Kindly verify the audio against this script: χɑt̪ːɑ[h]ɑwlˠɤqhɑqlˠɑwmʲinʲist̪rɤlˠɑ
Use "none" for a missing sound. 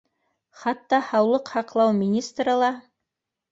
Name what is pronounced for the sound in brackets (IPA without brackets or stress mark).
h